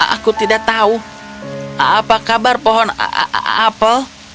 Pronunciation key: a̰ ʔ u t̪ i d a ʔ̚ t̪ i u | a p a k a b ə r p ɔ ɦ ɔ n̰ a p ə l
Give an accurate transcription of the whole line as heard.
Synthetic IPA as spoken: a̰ k u t̪ i d a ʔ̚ t̪ a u | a p a k a b a r p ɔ ɦ ɔ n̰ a p ə l